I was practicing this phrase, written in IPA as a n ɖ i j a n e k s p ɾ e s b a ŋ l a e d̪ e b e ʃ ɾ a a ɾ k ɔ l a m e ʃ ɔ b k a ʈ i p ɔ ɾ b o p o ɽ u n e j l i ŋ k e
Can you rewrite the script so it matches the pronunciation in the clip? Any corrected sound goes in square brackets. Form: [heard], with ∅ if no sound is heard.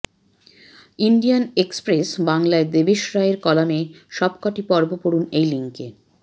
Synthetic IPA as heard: [i] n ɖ i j a n e k s p ɾ e s b a ŋ l a e d̪ e b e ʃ ɾ a [e] ɾ k ɔ l a m e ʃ ɔ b k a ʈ i p ɔ ɾ b o p o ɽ u n e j l i ŋ k e